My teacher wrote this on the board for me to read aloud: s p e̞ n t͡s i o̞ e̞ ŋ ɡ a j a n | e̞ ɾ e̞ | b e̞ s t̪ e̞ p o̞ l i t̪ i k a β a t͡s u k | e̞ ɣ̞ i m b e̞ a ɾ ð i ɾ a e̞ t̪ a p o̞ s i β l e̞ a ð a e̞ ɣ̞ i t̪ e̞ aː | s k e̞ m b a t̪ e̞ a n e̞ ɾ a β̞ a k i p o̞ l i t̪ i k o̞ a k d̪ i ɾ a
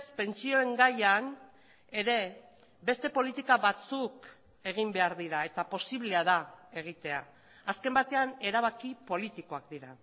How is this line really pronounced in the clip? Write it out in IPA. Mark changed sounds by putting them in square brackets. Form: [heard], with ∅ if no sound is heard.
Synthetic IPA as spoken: s p e̞ n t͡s i o̞ e̞ ŋ ɡ a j a n | e̞ ɾ e̞ | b e̞ s t̪ e̞ p o̞ l i t̪ i k a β a t͡s u k | e̞ ɣ̞ i m b e̞ a ɾ ð i ɾ a e̞ t̪ a p o̞ s i β l e̞ a ð a e̞ ɣ̞ i t̪ e̞ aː | s k e̞ m b a t̪ e̞ a n e̞ ɾ a β̞ a k i p o̞ l i t̪ i k o̞ a k d̪ i ɾ a